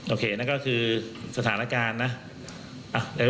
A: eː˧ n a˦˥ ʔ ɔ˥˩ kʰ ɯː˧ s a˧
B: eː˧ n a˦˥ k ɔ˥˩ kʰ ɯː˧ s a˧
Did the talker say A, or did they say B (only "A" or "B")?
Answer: B